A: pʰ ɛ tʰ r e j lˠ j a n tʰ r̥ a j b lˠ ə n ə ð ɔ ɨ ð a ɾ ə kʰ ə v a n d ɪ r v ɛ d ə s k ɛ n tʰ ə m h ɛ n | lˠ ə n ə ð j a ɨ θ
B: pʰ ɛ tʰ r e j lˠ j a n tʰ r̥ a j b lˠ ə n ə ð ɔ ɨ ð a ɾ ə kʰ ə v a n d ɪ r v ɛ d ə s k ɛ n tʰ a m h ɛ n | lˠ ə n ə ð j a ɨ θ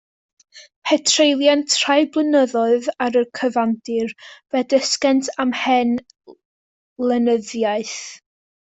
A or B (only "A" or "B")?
B